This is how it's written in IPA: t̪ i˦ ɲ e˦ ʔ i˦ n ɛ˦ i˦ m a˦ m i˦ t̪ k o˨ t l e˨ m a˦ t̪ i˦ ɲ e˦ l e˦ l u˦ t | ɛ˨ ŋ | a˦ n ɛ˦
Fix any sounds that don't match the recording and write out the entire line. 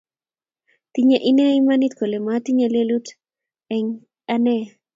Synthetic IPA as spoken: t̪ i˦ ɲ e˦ ʔ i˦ n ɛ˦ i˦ m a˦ n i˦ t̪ k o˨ l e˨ m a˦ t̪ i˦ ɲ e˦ l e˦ l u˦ t | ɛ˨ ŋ | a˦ n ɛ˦